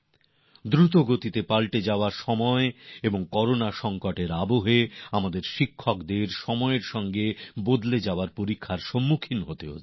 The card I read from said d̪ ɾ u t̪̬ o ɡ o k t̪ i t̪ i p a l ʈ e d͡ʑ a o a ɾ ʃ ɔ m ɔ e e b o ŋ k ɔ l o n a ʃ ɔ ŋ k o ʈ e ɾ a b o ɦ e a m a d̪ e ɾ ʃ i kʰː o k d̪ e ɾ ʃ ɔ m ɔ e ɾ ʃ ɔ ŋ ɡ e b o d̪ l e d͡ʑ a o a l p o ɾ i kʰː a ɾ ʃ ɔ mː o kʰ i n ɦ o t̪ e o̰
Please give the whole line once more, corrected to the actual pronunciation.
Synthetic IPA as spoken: d̪ ɾ u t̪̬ o ɡ o t̪ i t̪ e p a l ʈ e d͡ʑ a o a ɾ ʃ ɔ m ɔ e e b o ŋ k ɔ ɾ o n a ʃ ɔ ŋ k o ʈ e ɾ a b o ɦ e a m a d̪ e ɾ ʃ i kʰː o k d̪ e ɾ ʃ ɔ m ɔ e ɾ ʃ ɔ ŋ ɡ e b o d̪ l e d͡ʑ a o a ɾ p o ɾ i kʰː a ɾ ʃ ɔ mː u kʰ i n ɦ o t̪ e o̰